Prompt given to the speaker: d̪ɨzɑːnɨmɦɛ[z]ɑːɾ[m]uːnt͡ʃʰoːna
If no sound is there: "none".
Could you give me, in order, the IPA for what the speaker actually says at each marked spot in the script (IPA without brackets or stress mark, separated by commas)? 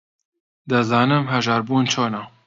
ʒ, b